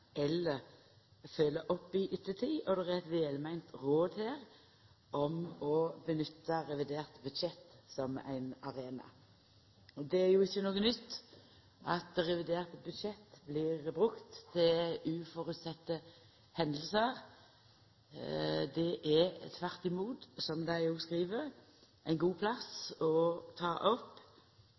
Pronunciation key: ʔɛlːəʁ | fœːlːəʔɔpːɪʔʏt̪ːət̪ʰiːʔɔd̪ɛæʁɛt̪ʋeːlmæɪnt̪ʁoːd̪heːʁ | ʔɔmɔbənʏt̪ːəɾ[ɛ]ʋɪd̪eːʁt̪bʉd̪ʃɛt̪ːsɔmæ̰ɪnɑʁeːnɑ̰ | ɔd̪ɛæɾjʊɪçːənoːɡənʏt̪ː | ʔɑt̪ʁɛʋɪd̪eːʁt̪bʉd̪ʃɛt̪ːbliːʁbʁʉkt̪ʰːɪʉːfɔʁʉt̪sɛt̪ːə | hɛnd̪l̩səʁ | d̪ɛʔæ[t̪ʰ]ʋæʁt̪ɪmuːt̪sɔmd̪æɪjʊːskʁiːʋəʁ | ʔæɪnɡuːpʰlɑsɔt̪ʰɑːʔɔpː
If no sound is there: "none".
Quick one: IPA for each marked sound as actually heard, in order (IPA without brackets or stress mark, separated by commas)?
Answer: ɛ, t̪ʰ